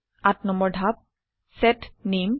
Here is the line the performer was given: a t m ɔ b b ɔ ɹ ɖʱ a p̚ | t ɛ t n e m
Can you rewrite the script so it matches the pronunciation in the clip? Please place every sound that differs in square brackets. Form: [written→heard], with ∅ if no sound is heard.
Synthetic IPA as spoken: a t [m→n] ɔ [b→m] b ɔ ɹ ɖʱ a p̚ | [t→s] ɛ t n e m